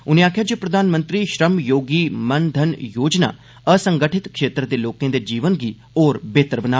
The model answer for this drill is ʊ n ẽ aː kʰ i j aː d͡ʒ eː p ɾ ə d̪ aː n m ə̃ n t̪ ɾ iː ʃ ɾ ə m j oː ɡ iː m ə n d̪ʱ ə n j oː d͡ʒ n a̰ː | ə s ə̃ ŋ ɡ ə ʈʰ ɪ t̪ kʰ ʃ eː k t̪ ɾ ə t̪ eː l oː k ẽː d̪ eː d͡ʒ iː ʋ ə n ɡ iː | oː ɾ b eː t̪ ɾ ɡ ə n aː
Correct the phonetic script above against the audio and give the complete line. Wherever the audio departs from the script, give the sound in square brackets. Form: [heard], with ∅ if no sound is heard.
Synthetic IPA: ʊ n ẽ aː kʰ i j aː d͡ʒ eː p ɾ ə d̪ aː n m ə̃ n t̪ ɾ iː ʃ ɾ ə m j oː ɡ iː m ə n d̪ʱ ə n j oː d͡ʒ n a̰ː | ə s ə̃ ŋ ɡ ə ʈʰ ɪ t̪ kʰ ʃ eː [∅] t̪ ɾ ə [d̪] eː l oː k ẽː d̪ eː d͡ʒ iː ʋ ə n ɡ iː | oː ɾ b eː t̪ ɾ [b] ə n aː